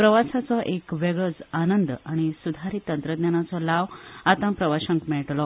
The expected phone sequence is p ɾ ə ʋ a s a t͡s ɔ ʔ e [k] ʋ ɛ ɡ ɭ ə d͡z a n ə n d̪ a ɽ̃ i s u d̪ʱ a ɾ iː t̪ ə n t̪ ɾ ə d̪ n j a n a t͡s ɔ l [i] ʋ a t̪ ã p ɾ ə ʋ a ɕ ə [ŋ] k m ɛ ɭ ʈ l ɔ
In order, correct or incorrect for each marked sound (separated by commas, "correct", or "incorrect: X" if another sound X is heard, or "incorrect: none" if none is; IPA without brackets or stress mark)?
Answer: correct, incorrect: a, correct